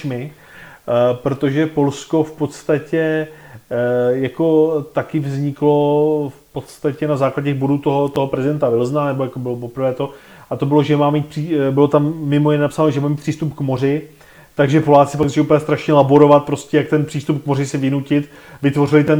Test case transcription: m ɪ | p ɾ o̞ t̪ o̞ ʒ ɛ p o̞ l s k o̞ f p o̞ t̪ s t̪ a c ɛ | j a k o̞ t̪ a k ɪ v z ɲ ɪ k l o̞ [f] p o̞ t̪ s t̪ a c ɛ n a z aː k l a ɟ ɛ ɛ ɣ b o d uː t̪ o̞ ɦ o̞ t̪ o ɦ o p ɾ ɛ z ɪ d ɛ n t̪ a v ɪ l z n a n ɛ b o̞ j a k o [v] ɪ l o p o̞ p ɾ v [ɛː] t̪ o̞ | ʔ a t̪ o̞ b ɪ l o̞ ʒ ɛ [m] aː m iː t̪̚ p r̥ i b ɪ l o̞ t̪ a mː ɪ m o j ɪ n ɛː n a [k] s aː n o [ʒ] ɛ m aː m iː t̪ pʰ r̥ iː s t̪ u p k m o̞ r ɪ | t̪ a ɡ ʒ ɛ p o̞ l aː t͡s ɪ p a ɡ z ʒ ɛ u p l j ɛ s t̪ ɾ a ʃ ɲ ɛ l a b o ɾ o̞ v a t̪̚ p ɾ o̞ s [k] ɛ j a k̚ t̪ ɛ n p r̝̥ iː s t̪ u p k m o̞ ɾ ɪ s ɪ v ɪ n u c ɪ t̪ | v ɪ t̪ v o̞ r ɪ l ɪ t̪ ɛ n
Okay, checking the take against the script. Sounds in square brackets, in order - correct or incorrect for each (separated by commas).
correct, incorrect, correct, correct, incorrect, correct, incorrect